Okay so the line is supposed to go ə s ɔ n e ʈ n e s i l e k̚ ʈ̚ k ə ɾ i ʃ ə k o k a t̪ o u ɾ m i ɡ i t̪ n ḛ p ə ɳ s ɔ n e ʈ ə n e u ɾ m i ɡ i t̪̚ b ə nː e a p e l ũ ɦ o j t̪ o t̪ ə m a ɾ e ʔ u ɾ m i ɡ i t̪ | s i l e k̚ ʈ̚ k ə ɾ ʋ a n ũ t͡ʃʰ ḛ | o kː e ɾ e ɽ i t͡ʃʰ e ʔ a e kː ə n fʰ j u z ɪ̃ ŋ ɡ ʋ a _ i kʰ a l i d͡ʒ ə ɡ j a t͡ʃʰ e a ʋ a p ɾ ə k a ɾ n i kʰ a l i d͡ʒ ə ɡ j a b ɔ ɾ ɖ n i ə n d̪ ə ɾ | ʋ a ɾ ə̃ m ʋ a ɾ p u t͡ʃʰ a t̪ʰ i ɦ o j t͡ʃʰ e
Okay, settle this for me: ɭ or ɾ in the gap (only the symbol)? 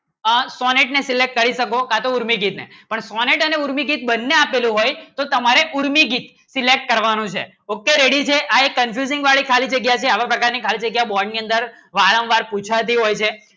ɭ